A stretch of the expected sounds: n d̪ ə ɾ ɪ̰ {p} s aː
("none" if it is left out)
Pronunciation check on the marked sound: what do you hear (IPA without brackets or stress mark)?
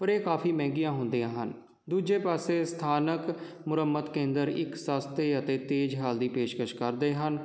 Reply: k